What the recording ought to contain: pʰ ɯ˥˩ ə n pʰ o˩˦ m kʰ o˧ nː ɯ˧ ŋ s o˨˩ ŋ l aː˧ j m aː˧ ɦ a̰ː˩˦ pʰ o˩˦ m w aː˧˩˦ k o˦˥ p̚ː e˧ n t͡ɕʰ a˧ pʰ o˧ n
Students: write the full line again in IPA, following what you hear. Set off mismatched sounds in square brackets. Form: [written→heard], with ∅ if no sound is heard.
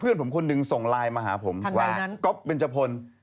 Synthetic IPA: pʰ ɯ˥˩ ə n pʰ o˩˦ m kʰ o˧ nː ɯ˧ ŋ s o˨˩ ŋ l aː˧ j m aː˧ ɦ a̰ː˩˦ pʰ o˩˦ m w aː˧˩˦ k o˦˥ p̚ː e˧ n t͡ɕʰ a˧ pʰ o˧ n

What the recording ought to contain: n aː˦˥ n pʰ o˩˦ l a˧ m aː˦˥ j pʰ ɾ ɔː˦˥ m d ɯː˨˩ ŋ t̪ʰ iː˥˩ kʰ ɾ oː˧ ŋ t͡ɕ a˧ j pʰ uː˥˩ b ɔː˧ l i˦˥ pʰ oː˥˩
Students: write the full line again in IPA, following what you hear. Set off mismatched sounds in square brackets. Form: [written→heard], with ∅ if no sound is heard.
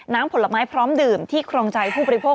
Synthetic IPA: n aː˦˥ [n→m] pʰ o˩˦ l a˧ m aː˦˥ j pʰ ɾ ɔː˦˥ m d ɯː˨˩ [ŋ→m] t̪ʰ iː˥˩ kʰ ɾ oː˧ ŋ t͡ɕ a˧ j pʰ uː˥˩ b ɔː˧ [l→ɾ] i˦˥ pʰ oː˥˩

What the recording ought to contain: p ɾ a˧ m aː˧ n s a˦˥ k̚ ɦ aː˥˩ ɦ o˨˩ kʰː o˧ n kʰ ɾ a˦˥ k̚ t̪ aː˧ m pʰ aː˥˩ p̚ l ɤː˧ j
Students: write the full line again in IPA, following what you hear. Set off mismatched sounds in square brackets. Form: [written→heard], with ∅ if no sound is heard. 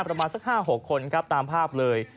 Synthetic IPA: p ɾ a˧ m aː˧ n s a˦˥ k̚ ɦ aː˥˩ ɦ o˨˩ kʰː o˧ n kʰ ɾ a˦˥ [k̚→p̚] t̪ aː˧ m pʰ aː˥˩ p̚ l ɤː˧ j

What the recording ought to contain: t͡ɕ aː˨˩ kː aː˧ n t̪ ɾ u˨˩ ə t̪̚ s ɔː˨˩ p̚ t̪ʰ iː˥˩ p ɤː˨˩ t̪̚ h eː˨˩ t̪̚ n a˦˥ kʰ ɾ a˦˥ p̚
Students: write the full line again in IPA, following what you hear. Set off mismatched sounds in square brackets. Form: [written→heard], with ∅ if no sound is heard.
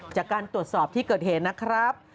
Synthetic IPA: t͡ɕ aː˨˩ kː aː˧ n t̪ ɾ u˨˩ ə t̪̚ s ɔː˨˩ p̚ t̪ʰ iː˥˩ [p→k] ɤː˨˩ t̪̚ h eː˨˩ t̪̚ n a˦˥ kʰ ɾ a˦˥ p̚

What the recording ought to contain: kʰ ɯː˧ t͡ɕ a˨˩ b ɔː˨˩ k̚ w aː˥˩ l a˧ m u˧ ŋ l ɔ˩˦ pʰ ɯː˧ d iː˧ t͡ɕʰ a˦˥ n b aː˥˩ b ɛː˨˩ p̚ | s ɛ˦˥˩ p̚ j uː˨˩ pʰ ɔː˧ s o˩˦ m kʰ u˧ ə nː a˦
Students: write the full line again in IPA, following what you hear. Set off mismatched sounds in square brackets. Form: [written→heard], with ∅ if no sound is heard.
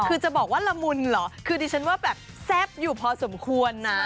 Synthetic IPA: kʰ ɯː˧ t͡ɕ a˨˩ b ɔː˨˩ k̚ w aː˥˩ l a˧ m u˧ [ŋ→n] l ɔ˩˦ [pʰ→kʰ] ɯː˧ d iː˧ t͡ɕʰ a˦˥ n [b→w] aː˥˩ b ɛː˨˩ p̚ | s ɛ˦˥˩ p̚ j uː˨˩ pʰ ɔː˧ s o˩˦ m kʰ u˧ ə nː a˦

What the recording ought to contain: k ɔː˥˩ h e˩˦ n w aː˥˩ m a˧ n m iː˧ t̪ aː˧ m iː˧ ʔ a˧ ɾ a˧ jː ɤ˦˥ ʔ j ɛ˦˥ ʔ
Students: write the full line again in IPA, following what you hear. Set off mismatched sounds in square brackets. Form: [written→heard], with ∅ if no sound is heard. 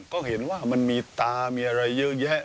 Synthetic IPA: k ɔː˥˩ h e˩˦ n w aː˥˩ m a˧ n m iː˧ t̪ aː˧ m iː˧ ʔ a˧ ɾ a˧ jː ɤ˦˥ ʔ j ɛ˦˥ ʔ

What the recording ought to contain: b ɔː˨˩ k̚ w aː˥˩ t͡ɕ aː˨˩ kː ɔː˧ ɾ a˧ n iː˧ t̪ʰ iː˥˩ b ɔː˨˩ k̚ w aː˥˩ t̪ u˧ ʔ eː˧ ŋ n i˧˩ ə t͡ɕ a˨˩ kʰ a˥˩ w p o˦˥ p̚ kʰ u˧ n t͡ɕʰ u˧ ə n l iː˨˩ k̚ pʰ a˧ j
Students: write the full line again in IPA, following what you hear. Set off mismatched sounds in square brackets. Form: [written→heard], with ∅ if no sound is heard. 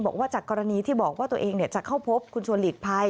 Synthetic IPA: b ɔː˨˩ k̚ w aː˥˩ t͡ɕ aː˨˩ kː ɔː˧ ɾ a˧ n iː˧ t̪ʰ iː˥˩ b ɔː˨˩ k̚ w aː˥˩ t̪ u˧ ʔ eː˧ ŋ n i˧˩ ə t͡ɕ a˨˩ kʰ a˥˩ w [p→pʰ] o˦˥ p̚ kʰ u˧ n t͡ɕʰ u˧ ə n l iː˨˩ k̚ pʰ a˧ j

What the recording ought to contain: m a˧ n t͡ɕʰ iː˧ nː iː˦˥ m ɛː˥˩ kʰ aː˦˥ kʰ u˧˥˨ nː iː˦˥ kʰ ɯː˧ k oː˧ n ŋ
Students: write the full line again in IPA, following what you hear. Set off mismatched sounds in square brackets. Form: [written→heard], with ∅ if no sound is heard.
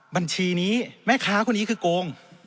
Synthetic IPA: [m→b] a˧ n t͡ɕʰ iː˧ [nː→n] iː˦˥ m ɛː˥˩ kʰ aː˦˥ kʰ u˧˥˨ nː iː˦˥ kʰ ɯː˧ k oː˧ [n→∅] ŋ

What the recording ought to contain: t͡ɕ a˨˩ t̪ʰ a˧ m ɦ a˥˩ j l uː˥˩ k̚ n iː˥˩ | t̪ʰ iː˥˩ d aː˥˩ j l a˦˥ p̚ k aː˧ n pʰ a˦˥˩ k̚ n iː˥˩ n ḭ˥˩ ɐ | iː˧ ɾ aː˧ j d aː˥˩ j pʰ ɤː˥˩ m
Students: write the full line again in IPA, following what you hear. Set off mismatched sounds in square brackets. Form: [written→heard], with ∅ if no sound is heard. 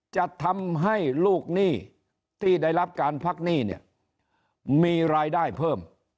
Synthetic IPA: t͡ɕ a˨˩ t̪ʰ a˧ m ɦ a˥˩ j l uː˥˩ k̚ n iː˥˩ | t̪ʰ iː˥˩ d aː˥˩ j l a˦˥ p̚ k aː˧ n pʰ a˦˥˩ k̚ n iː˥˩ n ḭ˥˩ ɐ | iː˧ ɾ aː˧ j d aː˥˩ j pʰ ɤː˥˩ m

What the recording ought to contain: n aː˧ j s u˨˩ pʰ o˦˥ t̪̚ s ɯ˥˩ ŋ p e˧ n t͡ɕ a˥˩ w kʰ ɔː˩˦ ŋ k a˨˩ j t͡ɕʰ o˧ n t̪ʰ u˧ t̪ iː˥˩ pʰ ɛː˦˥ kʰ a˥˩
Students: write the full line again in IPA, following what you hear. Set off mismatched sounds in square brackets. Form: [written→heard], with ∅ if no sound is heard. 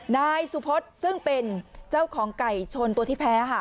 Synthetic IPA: n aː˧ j s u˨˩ pʰ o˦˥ t̪̚ s ɯ˥˩ ŋ p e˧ n t͡ɕ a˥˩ w kʰ ɔː˩˦ ŋ k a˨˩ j t͡ɕʰ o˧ n [t̪ʰ→t̪] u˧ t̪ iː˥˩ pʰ ɛː˦˥ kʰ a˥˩

